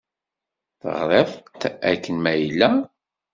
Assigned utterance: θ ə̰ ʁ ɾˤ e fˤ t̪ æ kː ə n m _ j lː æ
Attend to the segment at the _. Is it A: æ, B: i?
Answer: A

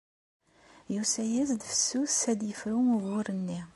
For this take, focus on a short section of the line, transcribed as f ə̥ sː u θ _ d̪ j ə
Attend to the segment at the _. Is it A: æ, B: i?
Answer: A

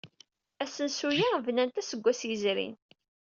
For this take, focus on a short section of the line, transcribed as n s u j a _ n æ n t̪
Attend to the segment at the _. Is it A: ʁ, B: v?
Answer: B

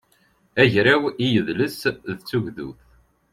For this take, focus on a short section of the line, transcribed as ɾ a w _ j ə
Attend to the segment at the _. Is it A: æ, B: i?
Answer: B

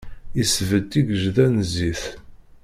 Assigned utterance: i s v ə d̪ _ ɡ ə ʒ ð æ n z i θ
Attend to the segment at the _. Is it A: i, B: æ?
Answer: A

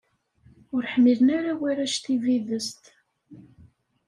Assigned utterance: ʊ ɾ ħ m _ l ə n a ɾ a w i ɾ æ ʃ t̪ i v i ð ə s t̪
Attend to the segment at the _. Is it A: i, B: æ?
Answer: A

